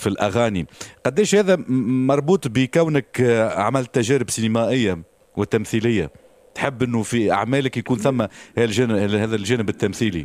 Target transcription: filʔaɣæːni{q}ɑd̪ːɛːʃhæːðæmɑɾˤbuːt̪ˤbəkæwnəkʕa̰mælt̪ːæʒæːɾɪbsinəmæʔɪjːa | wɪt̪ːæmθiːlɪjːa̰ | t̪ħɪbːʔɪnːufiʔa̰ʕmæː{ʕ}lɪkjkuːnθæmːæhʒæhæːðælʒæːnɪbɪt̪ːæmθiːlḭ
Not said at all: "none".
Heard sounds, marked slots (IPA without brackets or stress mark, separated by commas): q, none